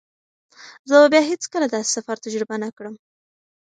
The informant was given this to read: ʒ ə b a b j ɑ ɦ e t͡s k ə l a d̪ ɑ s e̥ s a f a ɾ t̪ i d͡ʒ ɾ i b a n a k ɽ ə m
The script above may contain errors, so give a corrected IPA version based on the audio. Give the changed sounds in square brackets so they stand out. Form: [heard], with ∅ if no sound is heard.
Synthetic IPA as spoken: [z] ə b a b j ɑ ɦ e t͡s k ə l a d̪ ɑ s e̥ s a f a ɾ t̪ [a] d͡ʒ ɾ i b a n a k ɽ ə m